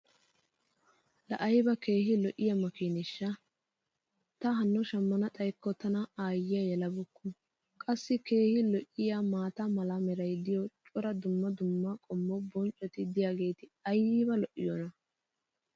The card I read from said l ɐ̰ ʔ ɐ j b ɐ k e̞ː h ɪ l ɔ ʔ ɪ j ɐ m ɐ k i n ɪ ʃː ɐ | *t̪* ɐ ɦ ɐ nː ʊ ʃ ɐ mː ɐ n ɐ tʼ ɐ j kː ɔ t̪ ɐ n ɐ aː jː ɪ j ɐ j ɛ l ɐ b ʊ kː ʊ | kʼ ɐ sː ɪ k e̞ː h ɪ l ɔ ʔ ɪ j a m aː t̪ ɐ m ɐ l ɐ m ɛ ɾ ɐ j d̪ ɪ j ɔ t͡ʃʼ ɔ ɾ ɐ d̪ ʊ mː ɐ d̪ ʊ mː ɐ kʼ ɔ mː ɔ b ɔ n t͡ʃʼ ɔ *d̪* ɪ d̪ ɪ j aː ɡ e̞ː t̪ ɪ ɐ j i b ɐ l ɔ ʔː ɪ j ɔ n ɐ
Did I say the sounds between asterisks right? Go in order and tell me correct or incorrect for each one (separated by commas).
correct, incorrect